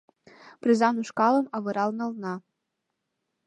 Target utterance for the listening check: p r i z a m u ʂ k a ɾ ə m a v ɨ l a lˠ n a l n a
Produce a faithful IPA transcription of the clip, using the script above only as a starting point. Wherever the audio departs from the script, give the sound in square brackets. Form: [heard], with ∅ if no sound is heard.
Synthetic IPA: p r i z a [n] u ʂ k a [l] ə m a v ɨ [ɾ] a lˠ n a l n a